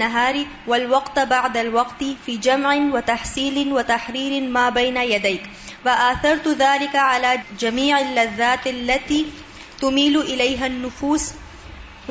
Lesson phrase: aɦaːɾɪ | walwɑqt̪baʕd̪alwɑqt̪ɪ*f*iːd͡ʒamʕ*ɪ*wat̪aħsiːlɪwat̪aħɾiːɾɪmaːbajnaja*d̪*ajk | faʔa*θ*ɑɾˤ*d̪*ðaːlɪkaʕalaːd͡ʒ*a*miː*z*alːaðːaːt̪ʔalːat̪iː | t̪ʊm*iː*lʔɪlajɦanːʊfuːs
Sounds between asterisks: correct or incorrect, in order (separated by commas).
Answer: correct, correct, correct, correct, incorrect, correct, incorrect, correct